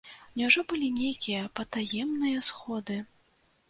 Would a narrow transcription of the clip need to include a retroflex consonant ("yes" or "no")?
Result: yes